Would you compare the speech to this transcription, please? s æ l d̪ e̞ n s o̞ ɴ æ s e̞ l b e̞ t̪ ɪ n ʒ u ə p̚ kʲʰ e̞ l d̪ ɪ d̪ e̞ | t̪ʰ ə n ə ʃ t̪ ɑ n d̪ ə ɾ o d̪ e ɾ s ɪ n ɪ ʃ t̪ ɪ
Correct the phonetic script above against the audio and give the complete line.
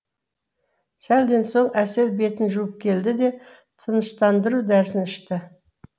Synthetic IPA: s æ l d̪ e̞ n s o̞ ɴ æ s e̞ l b e̞ t̪ ɪ n ʒ u ə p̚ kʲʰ e̞ l d̪ ɪ d̪ e̞ | t̪ʰ ə n ə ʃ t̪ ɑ n d̪ ə ɾ u d̪ æ ɾ s ɪ n ɪ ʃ t̪ ɪ